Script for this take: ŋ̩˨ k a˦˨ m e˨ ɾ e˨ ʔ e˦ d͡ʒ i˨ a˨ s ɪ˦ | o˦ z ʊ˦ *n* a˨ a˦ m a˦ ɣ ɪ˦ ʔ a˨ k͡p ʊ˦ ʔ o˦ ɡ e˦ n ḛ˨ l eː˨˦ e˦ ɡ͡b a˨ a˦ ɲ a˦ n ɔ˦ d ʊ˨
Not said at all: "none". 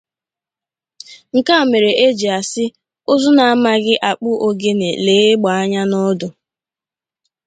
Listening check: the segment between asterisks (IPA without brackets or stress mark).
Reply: n